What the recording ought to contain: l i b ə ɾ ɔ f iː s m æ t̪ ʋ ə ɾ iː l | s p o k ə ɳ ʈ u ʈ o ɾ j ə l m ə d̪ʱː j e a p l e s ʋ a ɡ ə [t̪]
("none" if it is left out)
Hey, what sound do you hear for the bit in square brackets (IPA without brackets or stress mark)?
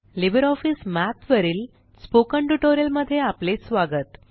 t̪